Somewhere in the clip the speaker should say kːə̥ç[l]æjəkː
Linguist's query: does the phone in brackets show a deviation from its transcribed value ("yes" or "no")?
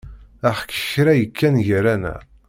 yes